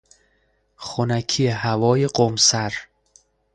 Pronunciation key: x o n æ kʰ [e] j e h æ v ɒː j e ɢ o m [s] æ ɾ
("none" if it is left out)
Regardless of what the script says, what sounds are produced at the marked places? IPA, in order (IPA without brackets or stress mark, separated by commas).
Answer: i, s